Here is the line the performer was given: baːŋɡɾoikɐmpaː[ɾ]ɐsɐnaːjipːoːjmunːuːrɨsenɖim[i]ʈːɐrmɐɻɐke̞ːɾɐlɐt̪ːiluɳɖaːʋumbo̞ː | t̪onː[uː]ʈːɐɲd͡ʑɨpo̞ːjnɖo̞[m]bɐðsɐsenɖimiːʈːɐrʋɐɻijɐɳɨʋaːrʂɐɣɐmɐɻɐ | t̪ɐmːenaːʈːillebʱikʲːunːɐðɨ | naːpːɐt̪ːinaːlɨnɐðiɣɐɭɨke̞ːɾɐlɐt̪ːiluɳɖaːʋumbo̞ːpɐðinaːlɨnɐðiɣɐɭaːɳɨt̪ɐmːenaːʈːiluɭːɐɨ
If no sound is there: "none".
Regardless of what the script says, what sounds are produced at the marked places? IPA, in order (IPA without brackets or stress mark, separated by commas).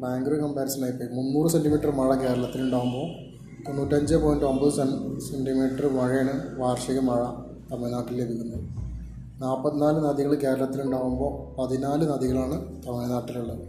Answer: ɾ, iː, uː, m